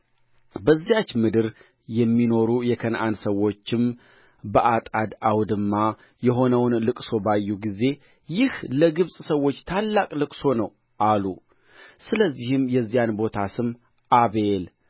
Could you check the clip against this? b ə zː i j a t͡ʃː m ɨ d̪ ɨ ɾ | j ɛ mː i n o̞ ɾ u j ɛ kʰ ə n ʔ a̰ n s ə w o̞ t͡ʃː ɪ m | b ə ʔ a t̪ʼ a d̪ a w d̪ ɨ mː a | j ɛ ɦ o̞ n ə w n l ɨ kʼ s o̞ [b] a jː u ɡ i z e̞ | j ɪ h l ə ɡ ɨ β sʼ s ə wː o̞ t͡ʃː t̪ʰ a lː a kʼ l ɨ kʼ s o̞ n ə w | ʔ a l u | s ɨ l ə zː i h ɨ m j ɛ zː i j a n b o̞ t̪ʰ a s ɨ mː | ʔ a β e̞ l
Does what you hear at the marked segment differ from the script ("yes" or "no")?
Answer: no